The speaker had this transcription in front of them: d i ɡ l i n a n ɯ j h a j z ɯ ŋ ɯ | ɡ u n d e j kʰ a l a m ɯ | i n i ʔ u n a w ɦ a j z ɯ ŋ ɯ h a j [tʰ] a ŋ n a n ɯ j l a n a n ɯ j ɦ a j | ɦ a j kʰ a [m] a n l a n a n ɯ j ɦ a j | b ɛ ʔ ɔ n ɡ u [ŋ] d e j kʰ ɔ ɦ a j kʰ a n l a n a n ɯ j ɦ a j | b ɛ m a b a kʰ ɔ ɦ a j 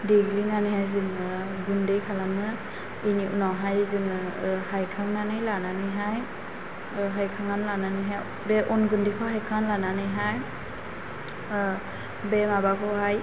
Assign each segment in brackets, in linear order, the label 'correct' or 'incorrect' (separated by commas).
incorrect, incorrect, incorrect